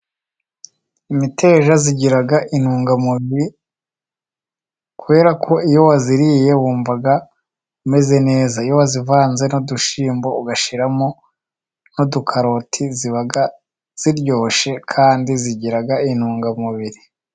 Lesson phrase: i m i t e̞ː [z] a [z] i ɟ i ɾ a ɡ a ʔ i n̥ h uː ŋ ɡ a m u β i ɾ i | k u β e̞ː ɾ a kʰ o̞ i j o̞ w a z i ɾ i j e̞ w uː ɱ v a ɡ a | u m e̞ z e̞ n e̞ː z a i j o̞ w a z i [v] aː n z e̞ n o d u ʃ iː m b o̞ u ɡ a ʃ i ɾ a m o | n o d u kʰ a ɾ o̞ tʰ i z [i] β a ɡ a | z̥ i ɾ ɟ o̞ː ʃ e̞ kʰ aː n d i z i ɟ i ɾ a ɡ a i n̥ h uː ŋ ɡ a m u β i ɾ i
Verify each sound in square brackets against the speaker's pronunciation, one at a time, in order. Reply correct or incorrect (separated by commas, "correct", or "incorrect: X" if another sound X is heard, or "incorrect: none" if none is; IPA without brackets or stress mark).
incorrect: ʒ, correct, correct, correct